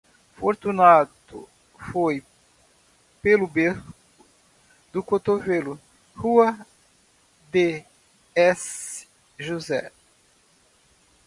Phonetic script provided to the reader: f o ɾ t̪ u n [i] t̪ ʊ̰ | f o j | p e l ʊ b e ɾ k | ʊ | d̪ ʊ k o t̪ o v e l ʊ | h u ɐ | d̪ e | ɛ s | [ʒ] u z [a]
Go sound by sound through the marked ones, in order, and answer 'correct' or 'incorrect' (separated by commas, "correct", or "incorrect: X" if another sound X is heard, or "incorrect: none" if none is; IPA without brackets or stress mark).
incorrect: a, correct, incorrect: ɛ